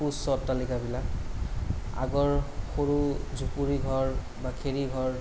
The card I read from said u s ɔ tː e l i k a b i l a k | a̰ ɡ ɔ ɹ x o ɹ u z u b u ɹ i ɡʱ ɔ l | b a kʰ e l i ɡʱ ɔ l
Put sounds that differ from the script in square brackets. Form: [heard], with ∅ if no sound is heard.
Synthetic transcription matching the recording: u s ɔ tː [a] l i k a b i l a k | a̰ ɡ ɔ ɹ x o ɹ u z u [p] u ɹ i ɡʱ ɔ [ɹ] | b a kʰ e [ɹ] i ɡʱ ɔ [ɹ]